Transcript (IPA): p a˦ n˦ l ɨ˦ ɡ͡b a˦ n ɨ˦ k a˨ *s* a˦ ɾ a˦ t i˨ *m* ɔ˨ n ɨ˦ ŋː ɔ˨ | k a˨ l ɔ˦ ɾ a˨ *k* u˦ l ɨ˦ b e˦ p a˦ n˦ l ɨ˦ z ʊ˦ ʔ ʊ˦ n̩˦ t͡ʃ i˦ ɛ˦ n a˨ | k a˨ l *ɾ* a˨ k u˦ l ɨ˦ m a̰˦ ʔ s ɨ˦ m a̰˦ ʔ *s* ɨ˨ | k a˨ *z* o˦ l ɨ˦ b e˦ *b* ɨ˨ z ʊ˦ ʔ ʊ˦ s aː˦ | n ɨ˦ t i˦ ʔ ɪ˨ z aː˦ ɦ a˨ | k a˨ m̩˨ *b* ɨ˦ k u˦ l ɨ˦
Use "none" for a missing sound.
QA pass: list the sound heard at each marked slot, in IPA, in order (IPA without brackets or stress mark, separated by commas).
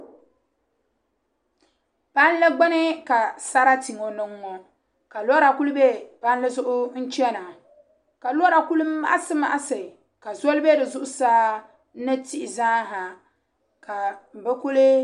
s, ŋ, k, ɾ, s, z, d, b